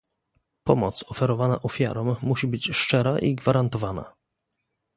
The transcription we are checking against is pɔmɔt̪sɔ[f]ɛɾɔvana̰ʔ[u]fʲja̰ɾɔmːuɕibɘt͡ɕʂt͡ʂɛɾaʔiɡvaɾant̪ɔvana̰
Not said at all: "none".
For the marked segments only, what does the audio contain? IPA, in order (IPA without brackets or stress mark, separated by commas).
f, ɔ